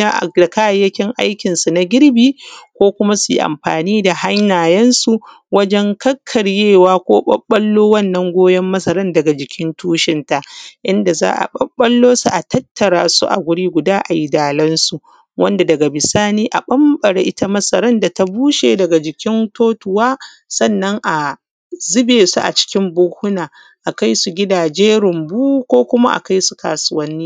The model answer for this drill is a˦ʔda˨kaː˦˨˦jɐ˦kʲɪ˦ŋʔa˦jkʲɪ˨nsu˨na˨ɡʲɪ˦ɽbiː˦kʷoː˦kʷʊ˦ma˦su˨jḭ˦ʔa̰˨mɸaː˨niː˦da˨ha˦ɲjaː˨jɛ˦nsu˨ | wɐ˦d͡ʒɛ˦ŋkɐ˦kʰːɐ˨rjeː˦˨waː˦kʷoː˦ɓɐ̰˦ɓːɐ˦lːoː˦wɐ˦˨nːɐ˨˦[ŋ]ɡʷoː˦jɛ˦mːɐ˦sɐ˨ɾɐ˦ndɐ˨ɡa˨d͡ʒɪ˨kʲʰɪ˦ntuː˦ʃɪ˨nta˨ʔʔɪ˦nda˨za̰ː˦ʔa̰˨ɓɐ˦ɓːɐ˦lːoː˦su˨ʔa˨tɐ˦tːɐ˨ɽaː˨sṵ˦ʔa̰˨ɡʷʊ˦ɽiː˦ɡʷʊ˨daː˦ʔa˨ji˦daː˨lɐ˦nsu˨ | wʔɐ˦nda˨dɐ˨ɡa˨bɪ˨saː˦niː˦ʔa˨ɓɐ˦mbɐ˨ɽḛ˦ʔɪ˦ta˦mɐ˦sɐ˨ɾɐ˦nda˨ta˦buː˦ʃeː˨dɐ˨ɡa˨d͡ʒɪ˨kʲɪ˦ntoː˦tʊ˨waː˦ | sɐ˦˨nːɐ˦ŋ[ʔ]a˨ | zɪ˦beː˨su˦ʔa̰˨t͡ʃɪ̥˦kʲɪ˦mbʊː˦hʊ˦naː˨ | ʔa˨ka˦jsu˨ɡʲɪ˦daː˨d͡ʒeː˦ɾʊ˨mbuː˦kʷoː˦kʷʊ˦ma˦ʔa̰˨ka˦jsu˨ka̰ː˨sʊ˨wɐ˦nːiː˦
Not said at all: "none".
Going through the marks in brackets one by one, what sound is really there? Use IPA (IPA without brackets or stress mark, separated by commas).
ŋ, ʔ